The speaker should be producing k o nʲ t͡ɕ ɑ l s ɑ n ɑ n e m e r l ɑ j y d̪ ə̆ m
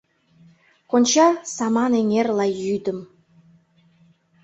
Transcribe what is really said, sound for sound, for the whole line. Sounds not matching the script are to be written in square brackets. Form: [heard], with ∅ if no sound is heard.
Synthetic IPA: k o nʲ t͡ɕ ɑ [∅] s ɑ [m] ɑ n e [ŋ] e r l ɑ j y d̪ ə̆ m